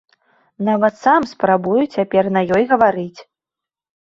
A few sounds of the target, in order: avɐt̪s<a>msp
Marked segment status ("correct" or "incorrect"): correct